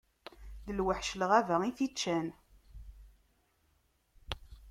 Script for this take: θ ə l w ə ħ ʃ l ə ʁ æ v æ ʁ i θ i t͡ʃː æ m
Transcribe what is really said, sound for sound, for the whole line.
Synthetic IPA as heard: ð ə l w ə ħ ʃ l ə ʁ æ v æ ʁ i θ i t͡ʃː æ n